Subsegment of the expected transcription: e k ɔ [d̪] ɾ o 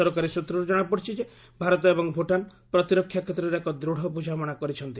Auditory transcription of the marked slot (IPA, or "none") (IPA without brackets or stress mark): d̪